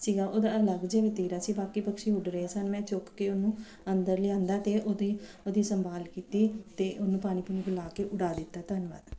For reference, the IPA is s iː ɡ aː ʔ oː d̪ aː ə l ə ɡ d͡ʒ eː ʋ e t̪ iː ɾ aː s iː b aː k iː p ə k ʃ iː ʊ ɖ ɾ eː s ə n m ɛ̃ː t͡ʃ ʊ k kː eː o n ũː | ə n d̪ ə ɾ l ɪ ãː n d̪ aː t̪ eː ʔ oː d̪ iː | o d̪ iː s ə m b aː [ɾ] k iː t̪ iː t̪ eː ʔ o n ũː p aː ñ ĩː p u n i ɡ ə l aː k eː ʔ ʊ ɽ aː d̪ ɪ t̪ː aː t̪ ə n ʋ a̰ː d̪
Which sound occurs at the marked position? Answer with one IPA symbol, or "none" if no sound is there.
l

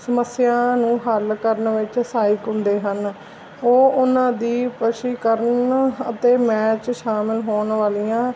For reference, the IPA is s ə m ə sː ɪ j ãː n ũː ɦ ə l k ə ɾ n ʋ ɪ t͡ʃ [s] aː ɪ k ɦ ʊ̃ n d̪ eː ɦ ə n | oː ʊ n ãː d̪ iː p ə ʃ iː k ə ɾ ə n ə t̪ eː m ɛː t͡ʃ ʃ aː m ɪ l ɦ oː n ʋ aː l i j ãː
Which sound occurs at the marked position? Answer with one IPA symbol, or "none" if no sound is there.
s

